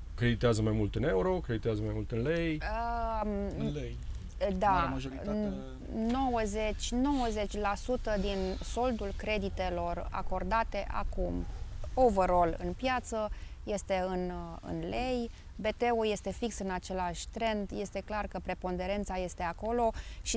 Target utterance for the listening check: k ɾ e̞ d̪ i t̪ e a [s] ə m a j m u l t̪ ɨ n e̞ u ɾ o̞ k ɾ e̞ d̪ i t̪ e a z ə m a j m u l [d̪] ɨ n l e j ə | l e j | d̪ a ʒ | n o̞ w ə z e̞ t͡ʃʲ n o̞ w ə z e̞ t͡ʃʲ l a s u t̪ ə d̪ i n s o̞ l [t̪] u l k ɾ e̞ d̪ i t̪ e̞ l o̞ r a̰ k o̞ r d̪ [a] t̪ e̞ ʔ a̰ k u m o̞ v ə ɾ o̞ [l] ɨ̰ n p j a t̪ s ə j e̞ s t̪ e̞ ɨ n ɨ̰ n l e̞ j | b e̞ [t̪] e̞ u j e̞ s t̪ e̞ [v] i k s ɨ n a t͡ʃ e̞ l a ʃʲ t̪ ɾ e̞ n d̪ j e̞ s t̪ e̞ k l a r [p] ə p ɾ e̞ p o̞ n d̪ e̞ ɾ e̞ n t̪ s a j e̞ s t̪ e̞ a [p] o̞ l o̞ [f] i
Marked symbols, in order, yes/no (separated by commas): no, no, no, yes, yes, yes, no, no, no, no